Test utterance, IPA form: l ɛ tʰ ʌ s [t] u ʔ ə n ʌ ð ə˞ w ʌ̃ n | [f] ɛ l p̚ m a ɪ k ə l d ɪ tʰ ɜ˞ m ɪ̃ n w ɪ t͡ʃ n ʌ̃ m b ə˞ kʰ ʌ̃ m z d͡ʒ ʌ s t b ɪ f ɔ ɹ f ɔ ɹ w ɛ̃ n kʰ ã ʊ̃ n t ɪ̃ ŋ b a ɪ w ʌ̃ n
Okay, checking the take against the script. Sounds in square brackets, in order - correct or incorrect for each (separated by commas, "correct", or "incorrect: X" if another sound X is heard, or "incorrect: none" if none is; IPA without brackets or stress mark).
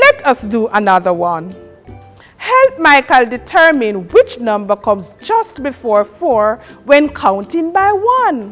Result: incorrect: d, incorrect: h